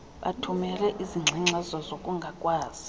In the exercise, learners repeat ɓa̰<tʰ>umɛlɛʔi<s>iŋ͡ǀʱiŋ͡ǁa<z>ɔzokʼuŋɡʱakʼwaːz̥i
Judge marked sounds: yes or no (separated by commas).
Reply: yes, no, yes